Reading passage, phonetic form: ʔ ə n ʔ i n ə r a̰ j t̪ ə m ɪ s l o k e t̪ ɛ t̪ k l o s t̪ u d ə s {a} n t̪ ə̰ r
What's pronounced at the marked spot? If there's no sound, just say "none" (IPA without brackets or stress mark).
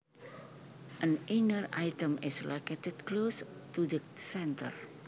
ɛ